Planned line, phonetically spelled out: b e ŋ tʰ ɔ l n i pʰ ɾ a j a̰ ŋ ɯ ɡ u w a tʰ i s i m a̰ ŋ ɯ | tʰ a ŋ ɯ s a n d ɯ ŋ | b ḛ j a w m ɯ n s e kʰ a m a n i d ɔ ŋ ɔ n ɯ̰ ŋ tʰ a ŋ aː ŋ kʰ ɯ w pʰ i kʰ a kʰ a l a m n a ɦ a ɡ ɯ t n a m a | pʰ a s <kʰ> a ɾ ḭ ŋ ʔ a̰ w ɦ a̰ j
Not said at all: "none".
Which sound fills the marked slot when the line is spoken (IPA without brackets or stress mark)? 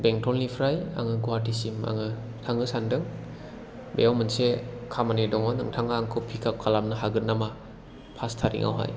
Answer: tʰ